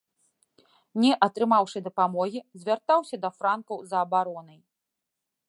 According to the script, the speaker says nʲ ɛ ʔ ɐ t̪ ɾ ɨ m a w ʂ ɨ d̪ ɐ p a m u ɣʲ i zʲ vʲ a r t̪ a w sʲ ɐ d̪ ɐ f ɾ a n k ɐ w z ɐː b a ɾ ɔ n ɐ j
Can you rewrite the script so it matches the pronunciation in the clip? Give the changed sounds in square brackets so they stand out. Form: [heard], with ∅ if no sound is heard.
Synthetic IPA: nʲ ɛ ʔ ɐ t̪ ɾ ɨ m a w ʂ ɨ d̪ ɐ p a m [ɔ] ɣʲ i zʲ vʲ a r t̪ a w sʲ ɐ d̪ ɐ f ɾ a n k ɐ w z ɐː b a ɾ ɔ n ɐ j